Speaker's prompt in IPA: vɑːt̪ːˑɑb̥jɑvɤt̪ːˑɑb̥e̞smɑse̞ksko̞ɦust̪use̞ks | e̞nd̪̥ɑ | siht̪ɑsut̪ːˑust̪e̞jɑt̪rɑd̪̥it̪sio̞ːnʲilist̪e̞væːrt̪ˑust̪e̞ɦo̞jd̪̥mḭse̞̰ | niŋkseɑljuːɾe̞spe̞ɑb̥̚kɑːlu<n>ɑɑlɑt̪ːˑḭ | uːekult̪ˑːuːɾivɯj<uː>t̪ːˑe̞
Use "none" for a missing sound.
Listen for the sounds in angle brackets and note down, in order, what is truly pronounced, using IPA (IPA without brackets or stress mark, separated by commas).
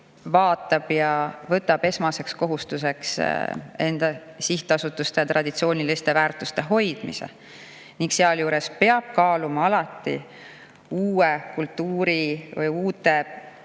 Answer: m, uː